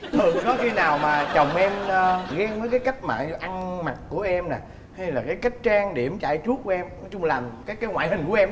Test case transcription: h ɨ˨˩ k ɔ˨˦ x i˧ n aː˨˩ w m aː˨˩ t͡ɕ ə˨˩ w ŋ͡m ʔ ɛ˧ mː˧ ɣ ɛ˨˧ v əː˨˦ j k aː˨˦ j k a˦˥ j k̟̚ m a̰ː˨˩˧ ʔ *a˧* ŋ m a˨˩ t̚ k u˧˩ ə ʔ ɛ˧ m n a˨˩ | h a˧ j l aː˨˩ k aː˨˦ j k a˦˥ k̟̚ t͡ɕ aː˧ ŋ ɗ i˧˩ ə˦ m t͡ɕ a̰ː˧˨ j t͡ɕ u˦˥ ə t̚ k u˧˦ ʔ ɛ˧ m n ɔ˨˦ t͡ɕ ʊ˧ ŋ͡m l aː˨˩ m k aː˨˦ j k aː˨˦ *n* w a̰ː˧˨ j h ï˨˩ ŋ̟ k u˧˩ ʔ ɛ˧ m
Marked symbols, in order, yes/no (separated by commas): yes, no